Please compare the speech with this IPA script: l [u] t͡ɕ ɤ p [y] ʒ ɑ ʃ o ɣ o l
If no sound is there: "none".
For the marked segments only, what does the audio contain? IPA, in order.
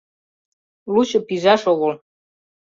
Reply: u, i

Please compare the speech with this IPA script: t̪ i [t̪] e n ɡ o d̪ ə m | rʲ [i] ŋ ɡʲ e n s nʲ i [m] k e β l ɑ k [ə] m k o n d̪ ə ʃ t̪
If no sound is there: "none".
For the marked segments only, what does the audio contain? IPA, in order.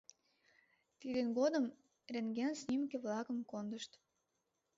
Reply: d̪, e, m, ə

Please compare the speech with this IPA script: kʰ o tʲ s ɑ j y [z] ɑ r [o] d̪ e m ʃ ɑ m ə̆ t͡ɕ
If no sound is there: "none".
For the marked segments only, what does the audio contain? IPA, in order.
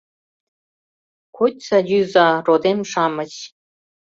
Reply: z, o

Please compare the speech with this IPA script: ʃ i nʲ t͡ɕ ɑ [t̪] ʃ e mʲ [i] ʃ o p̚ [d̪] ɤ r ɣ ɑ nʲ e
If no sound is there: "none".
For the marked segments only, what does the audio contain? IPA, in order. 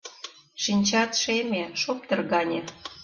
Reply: t̪, e, t̪

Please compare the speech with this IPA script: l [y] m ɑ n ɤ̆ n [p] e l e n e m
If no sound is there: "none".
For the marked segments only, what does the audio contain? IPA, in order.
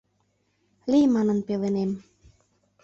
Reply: i, p

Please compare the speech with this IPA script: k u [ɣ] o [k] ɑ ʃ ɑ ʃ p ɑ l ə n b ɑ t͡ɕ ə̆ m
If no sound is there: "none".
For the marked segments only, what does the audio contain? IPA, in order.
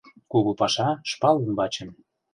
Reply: ɣ, p

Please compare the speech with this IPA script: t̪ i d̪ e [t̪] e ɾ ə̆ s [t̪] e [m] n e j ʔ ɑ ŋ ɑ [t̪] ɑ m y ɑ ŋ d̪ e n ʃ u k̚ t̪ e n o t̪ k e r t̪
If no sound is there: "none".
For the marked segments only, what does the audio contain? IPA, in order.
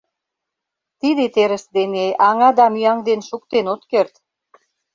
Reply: t̪, d̪, none, d̪

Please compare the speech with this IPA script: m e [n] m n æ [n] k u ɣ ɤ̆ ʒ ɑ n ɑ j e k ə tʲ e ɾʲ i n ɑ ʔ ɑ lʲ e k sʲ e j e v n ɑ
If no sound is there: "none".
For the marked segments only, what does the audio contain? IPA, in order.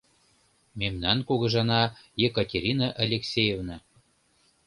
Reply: none, n

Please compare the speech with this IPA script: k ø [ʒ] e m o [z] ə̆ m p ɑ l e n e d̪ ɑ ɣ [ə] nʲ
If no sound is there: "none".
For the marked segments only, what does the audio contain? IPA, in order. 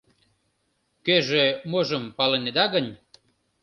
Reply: ʒ, ʒ, ə

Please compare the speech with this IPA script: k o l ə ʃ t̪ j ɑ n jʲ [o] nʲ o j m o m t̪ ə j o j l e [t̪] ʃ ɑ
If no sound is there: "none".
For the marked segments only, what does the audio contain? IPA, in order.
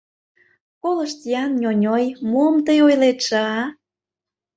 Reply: o, t̪

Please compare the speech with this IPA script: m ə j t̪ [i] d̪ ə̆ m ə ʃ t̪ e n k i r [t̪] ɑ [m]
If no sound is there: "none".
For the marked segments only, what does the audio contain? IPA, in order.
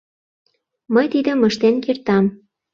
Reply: i, t̪, m

